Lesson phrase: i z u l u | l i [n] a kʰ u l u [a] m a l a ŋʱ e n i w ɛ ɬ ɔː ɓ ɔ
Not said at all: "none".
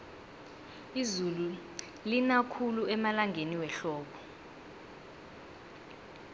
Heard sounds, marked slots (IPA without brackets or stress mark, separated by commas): n, ɛ